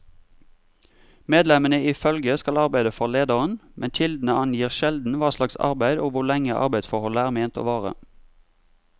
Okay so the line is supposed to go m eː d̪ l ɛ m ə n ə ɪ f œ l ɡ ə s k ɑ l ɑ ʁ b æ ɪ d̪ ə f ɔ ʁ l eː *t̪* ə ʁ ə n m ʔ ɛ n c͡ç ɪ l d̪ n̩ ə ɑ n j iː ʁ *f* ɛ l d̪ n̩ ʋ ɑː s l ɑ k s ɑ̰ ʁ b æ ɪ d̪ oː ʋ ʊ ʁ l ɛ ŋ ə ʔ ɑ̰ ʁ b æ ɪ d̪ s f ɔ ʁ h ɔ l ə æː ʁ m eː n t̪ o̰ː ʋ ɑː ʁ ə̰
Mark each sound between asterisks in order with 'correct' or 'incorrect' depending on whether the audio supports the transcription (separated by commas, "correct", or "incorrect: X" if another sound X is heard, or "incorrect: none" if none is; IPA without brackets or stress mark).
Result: incorrect: d̪, incorrect: ʃ